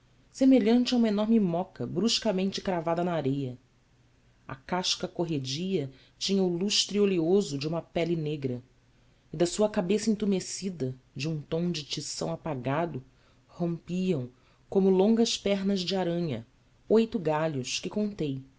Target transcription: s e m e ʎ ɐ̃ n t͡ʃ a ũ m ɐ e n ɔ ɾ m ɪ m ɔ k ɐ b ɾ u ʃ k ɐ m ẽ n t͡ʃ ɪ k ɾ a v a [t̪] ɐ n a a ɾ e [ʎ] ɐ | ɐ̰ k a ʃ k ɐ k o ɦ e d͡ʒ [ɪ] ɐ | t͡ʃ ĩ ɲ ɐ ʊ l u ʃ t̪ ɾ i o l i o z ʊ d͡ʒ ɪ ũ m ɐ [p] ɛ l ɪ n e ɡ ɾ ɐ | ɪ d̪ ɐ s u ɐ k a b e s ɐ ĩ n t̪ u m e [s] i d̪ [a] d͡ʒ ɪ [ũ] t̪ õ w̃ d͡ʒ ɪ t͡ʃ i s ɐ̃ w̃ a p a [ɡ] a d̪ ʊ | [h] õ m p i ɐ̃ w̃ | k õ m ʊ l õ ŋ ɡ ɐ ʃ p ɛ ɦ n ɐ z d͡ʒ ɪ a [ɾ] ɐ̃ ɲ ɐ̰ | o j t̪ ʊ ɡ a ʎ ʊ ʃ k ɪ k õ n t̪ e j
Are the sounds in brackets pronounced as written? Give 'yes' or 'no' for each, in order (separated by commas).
no, no, no, yes, yes, no, yes, yes, yes, yes